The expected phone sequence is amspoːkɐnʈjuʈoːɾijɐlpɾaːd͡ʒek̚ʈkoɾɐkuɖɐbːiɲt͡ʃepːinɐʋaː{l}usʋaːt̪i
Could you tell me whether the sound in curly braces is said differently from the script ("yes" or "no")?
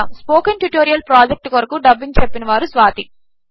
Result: yes